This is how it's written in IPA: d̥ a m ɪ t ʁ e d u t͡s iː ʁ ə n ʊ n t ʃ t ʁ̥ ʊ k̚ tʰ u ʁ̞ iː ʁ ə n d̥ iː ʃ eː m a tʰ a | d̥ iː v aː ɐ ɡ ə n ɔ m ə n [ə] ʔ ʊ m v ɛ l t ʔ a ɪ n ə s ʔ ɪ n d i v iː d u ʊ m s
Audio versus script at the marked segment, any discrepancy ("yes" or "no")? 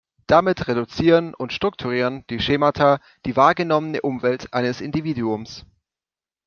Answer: no